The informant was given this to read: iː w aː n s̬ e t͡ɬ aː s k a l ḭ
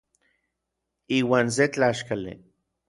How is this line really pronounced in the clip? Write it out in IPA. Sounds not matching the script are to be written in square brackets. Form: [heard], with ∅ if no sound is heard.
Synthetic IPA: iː w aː n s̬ e t͡ɬ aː [ʃ] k a l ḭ